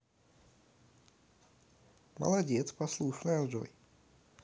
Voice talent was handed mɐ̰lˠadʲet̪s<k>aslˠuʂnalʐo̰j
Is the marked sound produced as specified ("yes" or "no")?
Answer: no